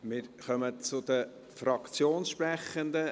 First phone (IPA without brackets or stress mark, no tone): m